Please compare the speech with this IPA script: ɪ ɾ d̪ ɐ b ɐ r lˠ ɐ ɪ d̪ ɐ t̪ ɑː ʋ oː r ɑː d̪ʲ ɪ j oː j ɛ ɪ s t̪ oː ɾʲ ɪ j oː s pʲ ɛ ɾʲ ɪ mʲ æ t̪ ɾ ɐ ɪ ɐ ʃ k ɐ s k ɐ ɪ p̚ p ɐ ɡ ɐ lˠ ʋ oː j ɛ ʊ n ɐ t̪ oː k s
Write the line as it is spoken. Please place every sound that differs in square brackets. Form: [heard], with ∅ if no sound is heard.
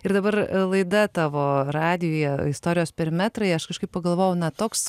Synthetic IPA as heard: ɪ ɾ d̪ ɐ b ɐ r lˠ ɐ ɪ d̪ ɐ t̪ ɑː ʋ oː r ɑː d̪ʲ ɪ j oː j ɛ ɪ s t̪ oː ɾʲ ɪ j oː s pʲ ɛ ɾʲ ɪ mʲ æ t̪ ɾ ɐ ɪ ɐ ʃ k ɐ [ʃ] k ɐ ɪ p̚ p ɐ ɡ ɐ lˠ ʋ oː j ɛ ʊ n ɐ t̪ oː k s